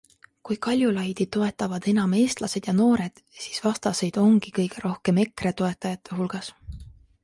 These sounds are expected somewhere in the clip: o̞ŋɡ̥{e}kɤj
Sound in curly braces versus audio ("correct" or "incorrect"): incorrect